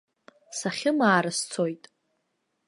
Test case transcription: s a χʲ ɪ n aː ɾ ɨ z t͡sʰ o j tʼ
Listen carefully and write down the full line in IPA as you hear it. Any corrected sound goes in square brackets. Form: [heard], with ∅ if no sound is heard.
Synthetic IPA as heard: s a χʲ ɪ [m] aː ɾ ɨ [s] t͡sʰ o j tʼ